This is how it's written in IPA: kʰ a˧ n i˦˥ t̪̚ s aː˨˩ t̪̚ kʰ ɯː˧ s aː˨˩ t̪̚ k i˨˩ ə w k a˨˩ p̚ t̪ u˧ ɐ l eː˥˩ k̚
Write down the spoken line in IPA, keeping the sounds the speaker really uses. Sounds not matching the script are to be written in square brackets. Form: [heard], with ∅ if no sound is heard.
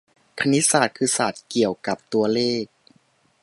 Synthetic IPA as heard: kʰ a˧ n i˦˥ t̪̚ s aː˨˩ t̪̚ kʰ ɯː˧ s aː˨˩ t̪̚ k i˨˩ ə w k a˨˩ p̚ t̪ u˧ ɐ l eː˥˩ k̚